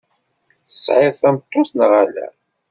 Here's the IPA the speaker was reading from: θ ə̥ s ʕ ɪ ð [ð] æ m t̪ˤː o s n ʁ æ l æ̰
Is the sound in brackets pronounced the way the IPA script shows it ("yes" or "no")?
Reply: no